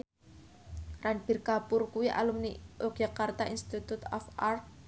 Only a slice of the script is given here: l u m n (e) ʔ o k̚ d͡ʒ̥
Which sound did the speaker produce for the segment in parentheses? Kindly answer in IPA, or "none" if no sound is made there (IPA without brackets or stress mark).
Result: i